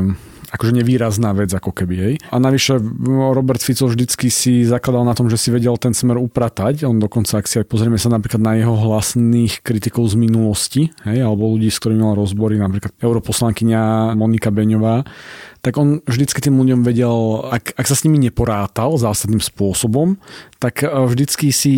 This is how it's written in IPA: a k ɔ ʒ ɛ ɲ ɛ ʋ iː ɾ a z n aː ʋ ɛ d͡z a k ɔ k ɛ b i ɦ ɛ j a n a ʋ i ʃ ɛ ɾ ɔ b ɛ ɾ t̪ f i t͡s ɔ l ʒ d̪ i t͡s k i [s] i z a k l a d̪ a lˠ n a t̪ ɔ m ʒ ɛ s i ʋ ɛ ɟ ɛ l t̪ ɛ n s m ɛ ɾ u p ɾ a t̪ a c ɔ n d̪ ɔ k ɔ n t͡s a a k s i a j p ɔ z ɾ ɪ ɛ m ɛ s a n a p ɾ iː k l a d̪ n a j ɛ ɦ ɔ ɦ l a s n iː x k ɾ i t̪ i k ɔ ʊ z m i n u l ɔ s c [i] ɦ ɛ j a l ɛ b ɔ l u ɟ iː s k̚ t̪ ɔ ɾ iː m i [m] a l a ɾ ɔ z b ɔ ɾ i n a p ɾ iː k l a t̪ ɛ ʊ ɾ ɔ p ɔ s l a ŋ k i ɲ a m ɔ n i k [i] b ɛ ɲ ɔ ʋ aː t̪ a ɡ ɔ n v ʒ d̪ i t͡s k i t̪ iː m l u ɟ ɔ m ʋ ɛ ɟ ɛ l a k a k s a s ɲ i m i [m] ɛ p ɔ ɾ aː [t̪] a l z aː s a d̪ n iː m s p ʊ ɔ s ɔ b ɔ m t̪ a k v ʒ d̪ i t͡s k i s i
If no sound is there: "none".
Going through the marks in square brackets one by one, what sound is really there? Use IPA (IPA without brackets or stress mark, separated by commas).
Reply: s, i, m, a, ɲ, t̪